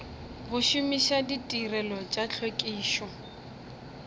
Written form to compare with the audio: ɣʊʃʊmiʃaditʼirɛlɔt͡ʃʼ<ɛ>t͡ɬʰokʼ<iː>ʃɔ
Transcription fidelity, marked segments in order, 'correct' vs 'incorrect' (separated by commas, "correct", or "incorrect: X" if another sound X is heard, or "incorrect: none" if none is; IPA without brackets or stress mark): incorrect: a, correct